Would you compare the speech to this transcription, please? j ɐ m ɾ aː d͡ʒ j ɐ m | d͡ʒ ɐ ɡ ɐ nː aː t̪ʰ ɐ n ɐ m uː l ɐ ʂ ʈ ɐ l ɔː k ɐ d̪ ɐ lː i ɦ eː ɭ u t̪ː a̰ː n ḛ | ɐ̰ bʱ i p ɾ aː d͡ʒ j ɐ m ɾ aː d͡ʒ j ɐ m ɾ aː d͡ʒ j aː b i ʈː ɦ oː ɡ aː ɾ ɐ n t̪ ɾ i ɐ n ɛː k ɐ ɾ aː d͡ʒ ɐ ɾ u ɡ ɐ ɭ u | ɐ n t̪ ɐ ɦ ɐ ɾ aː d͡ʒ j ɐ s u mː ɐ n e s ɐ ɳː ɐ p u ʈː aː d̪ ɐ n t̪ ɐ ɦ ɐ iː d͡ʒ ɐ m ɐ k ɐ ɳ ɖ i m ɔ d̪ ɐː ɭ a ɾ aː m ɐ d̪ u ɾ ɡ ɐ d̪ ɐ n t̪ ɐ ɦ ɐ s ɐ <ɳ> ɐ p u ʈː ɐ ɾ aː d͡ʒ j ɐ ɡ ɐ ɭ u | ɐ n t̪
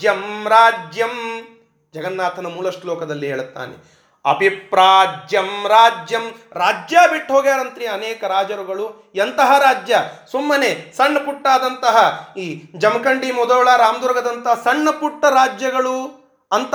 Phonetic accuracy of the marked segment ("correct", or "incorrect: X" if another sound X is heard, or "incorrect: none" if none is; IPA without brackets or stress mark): incorrect: ɳː